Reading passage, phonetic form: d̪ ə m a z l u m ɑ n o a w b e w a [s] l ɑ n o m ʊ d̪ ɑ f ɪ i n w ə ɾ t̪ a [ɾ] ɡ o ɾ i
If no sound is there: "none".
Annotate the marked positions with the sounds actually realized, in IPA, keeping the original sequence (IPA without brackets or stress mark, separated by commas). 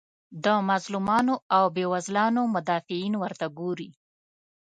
z, none